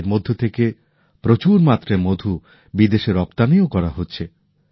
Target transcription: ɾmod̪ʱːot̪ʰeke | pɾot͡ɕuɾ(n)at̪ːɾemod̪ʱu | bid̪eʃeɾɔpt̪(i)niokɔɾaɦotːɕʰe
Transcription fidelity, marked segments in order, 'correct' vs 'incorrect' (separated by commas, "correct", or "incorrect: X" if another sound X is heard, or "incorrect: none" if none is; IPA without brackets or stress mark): incorrect: m, incorrect: a